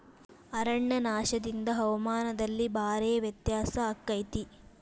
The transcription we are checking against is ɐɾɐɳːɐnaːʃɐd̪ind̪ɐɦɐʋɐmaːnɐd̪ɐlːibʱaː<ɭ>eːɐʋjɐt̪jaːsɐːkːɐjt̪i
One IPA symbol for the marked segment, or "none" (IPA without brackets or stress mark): ɾ